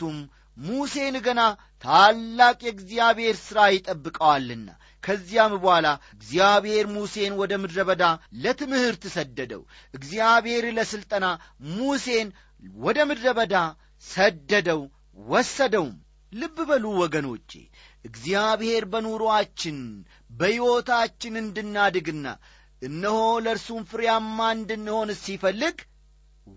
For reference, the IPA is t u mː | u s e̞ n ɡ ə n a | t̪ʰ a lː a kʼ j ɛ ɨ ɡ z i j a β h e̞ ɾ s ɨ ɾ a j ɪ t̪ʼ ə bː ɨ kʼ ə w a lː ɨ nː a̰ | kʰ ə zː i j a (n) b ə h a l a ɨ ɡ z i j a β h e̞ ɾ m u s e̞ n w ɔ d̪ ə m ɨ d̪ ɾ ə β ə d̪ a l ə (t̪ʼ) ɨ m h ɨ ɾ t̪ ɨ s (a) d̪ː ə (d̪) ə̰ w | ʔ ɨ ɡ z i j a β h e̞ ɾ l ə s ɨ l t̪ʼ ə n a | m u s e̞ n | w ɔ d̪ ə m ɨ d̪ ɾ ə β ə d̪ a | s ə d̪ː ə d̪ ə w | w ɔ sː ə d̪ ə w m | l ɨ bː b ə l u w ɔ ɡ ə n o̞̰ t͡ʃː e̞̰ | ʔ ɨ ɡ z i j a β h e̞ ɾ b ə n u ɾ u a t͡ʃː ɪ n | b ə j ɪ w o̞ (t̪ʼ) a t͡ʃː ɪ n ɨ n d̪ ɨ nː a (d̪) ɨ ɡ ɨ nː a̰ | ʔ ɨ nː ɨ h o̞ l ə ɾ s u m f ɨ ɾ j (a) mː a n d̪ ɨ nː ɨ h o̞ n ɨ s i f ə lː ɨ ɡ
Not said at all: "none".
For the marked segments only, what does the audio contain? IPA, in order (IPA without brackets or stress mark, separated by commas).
m, t̪, ə, d̪, t̪, d̪, a